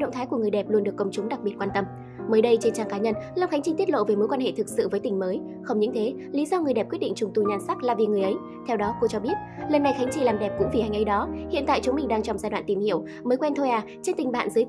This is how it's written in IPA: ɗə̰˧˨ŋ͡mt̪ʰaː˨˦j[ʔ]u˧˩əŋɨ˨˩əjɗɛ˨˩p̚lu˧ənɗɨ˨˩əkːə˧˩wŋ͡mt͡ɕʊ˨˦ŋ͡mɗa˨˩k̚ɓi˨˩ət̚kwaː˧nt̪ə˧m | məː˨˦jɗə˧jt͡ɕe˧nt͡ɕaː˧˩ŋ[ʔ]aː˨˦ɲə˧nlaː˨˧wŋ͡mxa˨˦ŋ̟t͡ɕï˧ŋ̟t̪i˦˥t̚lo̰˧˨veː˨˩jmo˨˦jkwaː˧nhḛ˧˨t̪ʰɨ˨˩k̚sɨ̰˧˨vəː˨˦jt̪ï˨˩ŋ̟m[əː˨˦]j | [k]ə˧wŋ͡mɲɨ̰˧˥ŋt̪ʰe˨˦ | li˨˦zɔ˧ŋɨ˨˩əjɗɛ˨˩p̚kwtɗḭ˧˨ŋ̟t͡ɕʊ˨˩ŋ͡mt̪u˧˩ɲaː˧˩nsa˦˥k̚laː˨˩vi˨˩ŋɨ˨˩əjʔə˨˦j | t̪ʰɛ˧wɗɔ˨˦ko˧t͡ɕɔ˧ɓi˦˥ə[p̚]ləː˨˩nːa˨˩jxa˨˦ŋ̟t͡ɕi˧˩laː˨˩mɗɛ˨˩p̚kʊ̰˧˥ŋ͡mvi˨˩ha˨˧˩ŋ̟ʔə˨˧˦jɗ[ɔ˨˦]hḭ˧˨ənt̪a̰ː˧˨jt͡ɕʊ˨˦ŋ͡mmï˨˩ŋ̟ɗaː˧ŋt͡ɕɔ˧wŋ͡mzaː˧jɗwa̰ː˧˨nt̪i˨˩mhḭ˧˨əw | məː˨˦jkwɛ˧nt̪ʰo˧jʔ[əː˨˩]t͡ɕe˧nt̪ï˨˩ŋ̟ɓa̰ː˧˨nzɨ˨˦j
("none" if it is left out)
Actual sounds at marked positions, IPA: k, k, əː˨˦, x, t̚, ɔ˨˦, aː˨˩

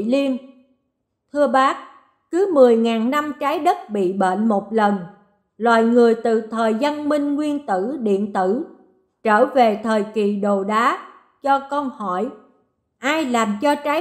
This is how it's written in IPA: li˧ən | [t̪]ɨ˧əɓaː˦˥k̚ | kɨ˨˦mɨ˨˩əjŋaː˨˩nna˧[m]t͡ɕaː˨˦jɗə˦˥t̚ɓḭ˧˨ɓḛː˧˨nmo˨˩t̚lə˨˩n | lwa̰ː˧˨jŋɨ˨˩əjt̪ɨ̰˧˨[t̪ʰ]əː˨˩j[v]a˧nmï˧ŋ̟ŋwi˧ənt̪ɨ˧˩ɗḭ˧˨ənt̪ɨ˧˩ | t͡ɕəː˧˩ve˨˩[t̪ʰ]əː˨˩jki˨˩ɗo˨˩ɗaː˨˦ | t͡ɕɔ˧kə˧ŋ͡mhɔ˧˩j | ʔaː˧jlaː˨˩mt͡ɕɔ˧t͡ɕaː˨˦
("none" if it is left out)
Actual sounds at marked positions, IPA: t̪ʰ, m, t̪ʰ, z, t̪ʰ

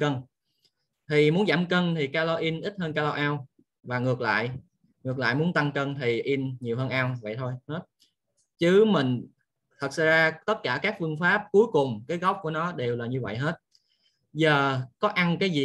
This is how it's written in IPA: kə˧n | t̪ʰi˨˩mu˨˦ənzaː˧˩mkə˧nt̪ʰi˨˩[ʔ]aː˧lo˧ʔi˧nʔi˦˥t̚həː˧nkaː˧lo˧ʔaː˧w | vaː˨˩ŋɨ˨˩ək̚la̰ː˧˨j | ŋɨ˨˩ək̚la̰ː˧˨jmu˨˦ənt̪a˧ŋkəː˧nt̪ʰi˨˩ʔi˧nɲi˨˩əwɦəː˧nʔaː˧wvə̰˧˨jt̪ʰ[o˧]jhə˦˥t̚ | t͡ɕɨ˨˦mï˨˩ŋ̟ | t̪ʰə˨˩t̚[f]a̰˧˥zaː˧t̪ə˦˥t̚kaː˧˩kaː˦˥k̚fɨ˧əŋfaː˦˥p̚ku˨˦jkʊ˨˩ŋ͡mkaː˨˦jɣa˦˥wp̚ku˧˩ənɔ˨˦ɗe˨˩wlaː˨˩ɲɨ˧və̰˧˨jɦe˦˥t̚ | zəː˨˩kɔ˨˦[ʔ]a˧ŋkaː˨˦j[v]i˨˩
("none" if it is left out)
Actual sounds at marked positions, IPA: k, o˧, s, ʔ, z

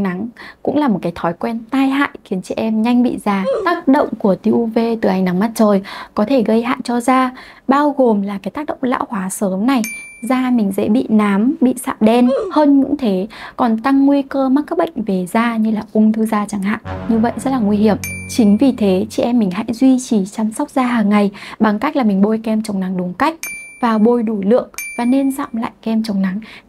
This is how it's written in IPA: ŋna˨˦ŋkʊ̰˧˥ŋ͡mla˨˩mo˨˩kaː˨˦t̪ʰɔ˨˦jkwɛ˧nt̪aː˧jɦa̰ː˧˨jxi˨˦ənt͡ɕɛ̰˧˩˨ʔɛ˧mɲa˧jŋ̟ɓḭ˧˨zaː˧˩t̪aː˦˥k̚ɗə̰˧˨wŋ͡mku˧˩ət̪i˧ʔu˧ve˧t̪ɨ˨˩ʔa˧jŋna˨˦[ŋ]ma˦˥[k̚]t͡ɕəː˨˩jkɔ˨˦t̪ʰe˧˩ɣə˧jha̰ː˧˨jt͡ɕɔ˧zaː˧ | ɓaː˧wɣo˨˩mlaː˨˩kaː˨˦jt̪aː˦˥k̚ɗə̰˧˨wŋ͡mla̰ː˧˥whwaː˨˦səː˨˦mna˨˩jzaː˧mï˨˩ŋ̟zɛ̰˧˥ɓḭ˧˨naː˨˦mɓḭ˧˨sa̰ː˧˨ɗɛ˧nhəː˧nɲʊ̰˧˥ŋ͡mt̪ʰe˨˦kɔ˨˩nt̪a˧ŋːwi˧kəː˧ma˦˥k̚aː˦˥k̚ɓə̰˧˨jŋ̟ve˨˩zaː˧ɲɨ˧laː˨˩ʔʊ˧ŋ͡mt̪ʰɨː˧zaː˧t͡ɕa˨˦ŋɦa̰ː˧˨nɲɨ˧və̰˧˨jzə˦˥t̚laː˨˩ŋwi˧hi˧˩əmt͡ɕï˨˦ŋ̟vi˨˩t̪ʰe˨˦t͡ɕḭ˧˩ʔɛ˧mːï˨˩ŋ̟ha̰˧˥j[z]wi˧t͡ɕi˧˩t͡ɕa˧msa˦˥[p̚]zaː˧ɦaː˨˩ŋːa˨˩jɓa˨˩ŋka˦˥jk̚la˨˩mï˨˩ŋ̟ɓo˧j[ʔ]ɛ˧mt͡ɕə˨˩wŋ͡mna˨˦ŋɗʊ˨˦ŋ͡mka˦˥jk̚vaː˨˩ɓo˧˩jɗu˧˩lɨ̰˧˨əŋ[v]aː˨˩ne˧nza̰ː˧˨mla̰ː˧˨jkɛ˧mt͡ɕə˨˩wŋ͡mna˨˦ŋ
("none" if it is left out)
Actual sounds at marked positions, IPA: ŋ, t̚, z, k͡p̚, k, v

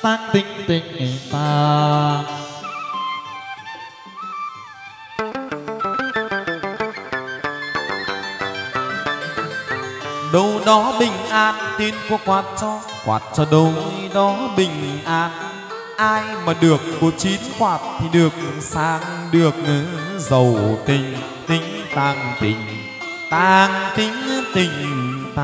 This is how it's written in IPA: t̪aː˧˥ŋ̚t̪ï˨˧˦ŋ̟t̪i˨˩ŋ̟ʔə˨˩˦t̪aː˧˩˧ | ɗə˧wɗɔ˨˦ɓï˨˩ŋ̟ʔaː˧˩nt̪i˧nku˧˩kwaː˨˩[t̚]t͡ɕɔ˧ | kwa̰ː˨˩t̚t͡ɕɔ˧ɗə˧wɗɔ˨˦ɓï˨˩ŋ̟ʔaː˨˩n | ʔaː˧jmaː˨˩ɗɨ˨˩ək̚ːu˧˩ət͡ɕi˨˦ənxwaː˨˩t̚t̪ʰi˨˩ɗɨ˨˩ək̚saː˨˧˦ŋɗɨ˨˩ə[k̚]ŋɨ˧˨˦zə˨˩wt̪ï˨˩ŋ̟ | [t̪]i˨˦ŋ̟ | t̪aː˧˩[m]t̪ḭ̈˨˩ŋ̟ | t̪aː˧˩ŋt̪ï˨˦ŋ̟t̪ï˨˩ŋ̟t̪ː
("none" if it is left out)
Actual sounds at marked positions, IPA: t̚, k̚, t̪, ŋ

